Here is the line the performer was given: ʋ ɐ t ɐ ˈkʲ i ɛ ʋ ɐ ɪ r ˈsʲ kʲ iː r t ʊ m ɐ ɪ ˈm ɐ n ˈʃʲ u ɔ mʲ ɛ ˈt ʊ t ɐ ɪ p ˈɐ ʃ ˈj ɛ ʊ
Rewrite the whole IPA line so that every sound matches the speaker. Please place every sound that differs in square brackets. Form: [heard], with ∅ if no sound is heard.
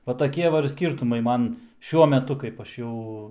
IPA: ʋ ɐ t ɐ ˈkʲ i ɛ ʋ ɐ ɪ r ˈsʲ kʲ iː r t ʊ m ɐ ɪ ˈm ɐ n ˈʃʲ u ɔ mʲ ɛ ˈt ʊ [k] ɐ ɪ p ˈɐ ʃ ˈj ɛ ʊ